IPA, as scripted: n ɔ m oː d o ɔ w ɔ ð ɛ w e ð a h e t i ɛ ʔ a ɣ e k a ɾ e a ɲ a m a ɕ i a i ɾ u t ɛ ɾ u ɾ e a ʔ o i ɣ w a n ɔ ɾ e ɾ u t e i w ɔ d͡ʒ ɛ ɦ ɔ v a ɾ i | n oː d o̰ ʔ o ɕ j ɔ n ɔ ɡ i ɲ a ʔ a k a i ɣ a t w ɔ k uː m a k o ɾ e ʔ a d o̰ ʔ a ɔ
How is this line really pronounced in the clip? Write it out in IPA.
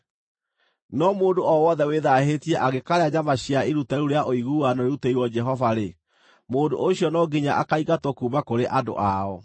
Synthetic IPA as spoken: n ɔ m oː d o ɔ w ɔ ð ɛ w e ð a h e t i ɛ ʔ a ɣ e k a ɾ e a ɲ a m a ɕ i a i ɾ u t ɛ ɾ u ɾ e a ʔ o i ɣ u a n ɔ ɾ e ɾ u t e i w ɔ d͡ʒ ɛ ɦ ɔ v a ɾ e | m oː d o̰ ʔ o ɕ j ɔ n ɔ ɡ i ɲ a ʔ a k a i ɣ a t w ɔ k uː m a k o ɾ e ʔ a d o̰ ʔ a ɔ